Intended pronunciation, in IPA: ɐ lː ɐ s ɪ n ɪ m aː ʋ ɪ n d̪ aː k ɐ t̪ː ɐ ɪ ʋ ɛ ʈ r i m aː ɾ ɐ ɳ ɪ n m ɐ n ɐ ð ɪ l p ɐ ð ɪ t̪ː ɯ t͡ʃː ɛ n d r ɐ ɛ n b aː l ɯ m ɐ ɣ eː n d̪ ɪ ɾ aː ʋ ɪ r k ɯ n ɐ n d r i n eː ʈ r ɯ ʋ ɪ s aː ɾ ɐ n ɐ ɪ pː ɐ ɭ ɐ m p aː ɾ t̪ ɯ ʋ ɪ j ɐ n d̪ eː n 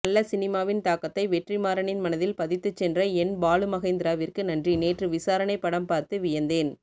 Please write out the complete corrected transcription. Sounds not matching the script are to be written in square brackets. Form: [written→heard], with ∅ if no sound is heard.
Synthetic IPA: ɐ lː ɐ s ɪ n ɪ m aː ʋ ɪ n [d̪→t̪] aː k ɐ t̪ː ɐ ɪ ʋ ɛ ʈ r i m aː ɾ ɐ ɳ ɪ n m ɐ n ɐ ð ɪ l p ɐ ð ɪ t̪ː ɯ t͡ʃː ɛ n d r ɐ ɛ n b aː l ɯ m ɐ ɣ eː n d̪ ɪ ɾ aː ʋ ɪ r k ɯ n ɐ n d r i n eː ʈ r ɯ ʋ ɪ s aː ɾ ɐ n ɐ ɪ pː ɐ [ɭ→ɽ] ɐ m p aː ɾ t̪ ɯ ʋ ɪ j ɐ n d̪ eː n